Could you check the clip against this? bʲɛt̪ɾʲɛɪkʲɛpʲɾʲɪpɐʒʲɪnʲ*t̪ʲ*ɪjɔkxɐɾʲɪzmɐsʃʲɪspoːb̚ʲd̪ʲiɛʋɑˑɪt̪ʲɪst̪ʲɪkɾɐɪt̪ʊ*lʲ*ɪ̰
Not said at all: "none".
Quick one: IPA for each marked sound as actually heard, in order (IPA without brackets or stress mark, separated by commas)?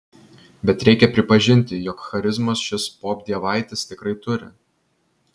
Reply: t̪ʲ, ɾʲ